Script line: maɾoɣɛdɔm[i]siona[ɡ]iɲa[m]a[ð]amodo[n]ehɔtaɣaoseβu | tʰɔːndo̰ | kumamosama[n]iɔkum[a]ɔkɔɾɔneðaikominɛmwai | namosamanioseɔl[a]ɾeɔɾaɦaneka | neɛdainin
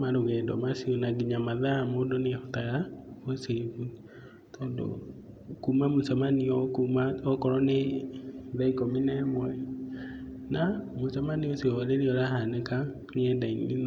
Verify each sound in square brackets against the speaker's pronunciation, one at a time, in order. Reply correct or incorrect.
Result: incorrect, correct, correct, correct, correct, correct, correct, incorrect

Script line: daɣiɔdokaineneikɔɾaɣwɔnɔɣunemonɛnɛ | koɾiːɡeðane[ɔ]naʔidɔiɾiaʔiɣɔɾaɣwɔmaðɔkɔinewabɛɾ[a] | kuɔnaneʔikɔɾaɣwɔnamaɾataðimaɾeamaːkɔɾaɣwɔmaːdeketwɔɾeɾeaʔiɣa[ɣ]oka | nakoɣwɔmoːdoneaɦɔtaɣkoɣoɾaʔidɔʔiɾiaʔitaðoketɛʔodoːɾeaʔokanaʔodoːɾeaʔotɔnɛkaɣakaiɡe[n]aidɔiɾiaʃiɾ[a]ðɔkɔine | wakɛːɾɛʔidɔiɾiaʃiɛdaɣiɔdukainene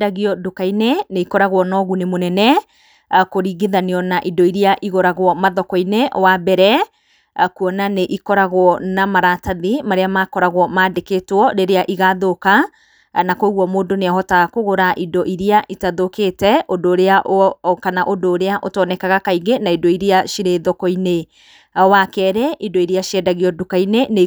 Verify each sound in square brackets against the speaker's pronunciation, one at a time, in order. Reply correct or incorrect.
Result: correct, incorrect, incorrect, correct, incorrect

